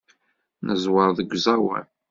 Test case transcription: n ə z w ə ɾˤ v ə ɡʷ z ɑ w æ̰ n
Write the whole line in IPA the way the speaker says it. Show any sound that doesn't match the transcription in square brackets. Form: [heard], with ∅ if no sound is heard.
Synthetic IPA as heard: n ə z w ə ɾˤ [ð] ə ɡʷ z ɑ w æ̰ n